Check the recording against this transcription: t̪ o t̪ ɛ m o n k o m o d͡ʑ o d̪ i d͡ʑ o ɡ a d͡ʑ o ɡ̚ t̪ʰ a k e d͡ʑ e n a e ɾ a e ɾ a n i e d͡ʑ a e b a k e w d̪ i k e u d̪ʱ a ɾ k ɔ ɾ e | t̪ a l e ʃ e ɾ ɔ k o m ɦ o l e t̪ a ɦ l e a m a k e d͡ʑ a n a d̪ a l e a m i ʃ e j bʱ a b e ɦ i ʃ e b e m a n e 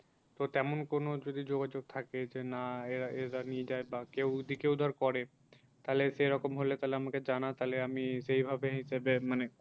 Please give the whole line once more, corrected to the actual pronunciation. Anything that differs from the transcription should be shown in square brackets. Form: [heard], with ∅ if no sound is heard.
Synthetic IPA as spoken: t̪ o t̪ ɛ m o n k o [n] o d͡ʑ o d̪ i d͡ʑ o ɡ a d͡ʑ o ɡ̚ t̪ʰ a k e d͡ʑ e n a e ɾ a e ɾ a n i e d͡ʑ a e b a k e w d̪ i k e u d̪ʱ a ɾ k ɔ ɾ e | t̪ a l e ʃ e ɾ ɔ k o m ɦ o l e t̪ a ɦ l e a m a k e d͡ʑ a n a [t̪] a l e a m i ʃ e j bʱ a b e ɦ i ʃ e b e m a n e

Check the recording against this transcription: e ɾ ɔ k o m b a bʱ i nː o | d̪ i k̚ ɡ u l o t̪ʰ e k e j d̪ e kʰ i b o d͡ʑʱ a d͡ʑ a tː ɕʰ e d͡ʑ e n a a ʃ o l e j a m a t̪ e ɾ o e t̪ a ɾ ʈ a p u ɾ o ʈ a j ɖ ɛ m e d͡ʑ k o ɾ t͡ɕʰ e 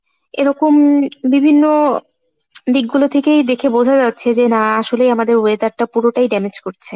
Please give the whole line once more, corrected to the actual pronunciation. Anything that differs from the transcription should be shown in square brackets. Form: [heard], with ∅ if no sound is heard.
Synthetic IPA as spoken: e ɾ ɔ k o m b [i] bʱ i nː o | d̪ i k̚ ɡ u l o t̪ʰ e k e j d̪ e kʰ [e] b o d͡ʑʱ a d͡ʑ a tː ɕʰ e d͡ʑ e n a a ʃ o l e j a m a [d̪] e ɾ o e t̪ a ɾ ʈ a p u ɾ o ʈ a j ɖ ɛ m e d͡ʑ k o ɾ t͡ɕʰ e

